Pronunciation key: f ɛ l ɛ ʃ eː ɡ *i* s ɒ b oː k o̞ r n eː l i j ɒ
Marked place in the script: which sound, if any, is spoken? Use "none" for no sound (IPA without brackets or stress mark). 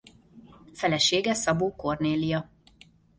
ɛ